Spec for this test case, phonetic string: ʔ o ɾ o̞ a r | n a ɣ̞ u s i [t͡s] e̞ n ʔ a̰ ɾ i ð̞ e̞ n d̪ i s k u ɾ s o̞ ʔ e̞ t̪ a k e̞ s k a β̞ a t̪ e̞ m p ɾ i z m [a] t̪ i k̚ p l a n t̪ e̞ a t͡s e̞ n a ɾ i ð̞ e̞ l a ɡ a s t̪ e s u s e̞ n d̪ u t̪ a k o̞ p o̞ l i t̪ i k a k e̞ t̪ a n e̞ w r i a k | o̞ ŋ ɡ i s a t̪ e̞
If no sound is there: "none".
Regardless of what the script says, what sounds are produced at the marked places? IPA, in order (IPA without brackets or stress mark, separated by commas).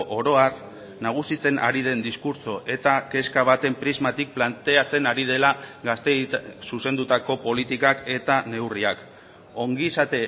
t͡s, a